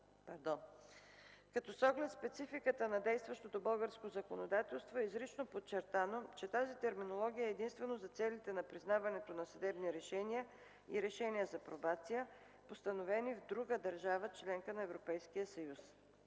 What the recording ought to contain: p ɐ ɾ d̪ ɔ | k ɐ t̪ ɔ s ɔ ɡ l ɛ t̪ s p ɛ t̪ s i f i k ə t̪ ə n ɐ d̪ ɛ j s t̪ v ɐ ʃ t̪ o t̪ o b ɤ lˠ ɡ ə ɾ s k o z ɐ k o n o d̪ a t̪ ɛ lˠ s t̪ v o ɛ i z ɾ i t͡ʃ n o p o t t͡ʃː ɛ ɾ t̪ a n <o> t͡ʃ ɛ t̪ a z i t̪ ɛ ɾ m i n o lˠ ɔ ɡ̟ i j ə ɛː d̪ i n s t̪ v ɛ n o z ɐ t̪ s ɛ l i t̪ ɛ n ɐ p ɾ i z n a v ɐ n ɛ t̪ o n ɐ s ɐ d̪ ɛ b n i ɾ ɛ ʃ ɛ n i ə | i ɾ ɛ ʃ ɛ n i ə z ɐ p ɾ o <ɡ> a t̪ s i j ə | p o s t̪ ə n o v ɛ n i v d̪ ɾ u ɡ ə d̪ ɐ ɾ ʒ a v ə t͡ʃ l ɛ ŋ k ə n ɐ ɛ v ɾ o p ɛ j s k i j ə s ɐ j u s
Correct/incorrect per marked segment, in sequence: correct, incorrect: b

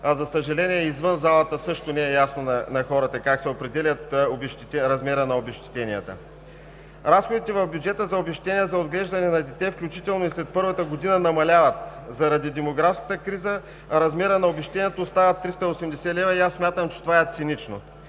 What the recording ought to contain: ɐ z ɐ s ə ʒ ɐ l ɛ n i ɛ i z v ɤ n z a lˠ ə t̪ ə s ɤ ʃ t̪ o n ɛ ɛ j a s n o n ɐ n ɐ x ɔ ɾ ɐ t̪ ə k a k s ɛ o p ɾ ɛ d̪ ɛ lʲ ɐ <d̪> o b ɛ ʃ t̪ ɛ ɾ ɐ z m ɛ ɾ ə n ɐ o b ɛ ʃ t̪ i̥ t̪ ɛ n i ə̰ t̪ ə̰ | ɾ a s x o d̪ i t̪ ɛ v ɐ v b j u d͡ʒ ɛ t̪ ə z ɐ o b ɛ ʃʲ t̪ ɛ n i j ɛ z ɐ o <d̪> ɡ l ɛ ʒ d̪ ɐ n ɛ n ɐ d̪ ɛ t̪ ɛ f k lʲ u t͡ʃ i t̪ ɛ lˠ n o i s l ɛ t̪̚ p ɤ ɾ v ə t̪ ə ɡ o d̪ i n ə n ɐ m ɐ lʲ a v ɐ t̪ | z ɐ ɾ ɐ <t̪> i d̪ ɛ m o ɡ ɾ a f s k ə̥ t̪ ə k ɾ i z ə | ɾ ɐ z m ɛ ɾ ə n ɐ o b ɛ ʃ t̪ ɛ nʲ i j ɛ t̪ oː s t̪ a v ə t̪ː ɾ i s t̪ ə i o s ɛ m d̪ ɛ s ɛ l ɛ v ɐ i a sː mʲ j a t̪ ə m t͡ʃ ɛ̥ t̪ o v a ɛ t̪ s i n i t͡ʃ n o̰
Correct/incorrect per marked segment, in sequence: incorrect: t̪, correct, incorrect: d̪

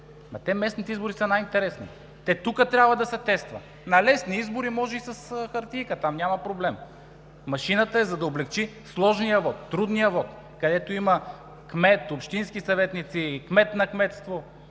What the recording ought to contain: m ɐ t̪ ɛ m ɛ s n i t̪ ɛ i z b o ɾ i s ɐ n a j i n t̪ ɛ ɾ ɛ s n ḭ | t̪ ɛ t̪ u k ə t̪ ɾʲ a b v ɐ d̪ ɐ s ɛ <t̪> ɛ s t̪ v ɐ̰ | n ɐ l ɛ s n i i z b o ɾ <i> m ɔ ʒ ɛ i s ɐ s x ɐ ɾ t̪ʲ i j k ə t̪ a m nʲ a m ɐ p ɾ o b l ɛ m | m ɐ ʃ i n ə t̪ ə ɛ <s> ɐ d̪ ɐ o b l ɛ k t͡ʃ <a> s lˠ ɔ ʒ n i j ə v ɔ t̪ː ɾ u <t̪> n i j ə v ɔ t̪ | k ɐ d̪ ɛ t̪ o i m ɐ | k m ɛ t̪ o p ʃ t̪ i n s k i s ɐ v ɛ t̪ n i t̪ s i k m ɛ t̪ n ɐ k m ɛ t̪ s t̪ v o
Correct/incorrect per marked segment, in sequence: correct, correct, incorrect: z, incorrect: i, incorrect: d̪

